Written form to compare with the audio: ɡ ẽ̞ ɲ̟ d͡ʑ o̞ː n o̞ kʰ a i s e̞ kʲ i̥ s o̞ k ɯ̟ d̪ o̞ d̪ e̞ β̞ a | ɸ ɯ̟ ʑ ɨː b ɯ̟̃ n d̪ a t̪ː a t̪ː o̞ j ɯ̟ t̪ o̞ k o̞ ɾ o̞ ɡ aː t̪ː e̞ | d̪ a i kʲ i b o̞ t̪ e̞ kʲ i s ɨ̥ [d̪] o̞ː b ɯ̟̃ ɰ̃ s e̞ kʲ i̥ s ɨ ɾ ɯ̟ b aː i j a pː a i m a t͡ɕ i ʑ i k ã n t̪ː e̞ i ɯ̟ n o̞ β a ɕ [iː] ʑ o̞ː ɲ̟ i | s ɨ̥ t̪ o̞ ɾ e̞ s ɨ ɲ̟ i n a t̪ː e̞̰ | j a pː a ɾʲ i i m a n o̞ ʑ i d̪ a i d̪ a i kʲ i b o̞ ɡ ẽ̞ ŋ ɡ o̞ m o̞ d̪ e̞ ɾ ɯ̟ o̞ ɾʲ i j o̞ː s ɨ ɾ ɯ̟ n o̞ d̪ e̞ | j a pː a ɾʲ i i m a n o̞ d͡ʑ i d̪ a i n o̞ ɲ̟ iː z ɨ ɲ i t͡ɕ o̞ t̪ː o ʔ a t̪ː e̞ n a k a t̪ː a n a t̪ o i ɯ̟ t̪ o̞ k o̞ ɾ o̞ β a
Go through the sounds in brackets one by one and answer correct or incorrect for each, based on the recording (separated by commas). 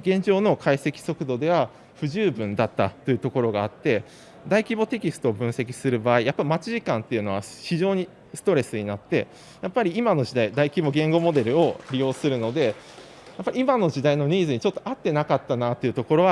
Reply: incorrect, incorrect